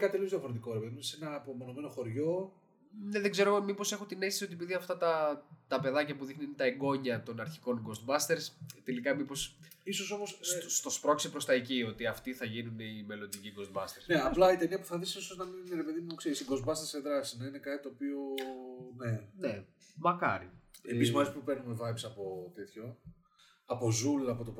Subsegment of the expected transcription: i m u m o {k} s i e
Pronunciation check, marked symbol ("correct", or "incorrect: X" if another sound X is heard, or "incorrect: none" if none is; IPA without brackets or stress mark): correct